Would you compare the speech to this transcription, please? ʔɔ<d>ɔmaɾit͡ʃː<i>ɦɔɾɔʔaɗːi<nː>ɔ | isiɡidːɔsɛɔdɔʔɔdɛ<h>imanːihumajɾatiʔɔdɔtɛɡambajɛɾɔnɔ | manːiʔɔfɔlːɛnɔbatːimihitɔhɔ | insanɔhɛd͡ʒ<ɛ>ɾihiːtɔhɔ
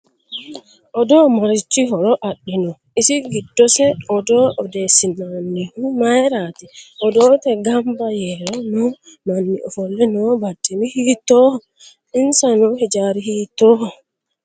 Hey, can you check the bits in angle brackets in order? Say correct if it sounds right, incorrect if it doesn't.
correct, correct, incorrect: n, incorrect: s, incorrect: a

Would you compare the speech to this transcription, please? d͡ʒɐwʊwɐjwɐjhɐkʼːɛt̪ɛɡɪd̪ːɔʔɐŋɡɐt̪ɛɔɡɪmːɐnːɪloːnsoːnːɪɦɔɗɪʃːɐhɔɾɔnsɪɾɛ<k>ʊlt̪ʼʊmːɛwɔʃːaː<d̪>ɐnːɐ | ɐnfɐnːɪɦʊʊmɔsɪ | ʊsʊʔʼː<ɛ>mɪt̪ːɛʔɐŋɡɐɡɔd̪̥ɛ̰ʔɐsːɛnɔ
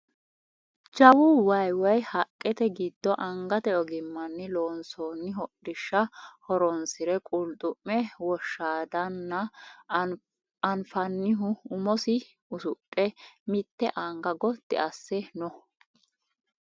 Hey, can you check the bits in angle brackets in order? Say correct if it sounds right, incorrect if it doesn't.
incorrect: kʼ, correct, correct

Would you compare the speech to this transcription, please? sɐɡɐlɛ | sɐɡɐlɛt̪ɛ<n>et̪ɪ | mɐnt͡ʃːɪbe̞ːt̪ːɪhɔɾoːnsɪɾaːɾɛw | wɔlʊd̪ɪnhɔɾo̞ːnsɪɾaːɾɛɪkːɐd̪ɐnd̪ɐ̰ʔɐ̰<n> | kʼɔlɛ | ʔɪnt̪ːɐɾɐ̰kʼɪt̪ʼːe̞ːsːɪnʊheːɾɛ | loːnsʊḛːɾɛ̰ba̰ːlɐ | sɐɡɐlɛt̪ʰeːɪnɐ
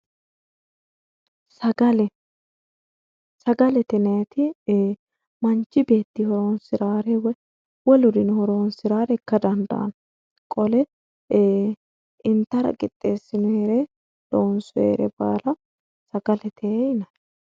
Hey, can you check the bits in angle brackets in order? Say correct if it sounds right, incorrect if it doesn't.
correct, correct

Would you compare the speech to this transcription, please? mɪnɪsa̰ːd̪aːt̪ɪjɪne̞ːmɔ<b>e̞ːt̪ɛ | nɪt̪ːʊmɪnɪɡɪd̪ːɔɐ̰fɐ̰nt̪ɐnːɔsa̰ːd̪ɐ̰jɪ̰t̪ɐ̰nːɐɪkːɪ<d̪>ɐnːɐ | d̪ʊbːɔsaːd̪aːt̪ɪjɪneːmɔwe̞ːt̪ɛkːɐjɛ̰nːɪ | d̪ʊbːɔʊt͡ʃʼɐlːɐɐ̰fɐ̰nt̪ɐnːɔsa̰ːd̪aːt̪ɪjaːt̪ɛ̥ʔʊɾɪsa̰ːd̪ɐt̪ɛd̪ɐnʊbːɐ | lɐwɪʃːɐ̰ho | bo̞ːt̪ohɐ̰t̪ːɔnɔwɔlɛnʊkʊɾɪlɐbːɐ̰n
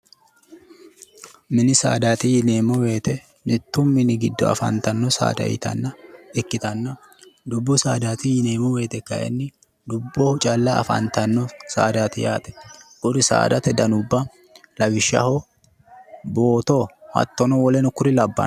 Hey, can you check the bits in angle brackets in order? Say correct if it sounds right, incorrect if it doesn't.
incorrect: w, incorrect: t̪

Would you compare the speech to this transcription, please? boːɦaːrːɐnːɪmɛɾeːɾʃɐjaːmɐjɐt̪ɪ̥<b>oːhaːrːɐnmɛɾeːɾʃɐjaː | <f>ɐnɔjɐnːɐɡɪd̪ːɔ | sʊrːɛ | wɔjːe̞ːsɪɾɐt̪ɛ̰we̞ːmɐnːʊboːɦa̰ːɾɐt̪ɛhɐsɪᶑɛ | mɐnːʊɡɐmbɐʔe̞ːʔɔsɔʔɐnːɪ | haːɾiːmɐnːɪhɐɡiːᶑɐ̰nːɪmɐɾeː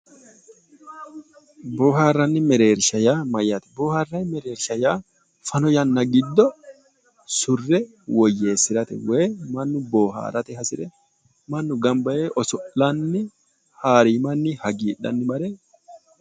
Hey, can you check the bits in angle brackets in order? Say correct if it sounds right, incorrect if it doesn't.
correct, correct

